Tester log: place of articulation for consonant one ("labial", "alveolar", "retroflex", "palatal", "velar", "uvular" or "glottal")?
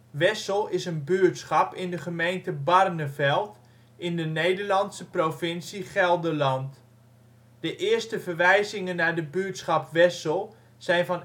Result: labial